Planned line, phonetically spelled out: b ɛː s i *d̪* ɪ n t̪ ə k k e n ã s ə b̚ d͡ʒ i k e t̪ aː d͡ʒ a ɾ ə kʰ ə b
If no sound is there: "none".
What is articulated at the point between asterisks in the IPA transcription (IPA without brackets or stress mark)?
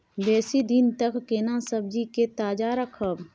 d̪